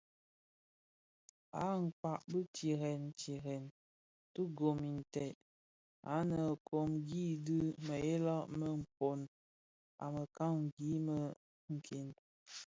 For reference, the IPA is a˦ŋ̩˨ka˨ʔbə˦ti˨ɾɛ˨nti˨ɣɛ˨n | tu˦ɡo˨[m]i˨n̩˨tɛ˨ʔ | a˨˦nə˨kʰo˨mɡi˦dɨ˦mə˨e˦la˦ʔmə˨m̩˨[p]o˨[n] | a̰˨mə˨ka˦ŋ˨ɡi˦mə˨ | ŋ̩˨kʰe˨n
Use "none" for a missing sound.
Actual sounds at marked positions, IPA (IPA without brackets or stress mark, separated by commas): m, p, n